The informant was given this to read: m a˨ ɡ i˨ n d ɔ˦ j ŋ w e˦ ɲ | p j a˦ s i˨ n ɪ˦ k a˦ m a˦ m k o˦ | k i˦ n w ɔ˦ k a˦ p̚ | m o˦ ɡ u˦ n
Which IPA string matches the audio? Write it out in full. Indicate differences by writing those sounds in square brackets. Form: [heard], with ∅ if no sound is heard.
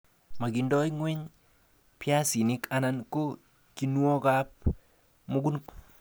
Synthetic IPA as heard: m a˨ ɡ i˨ n d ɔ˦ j ŋ w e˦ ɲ | p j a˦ s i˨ n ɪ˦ k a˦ [n] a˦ [n] k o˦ | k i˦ n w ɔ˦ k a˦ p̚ | m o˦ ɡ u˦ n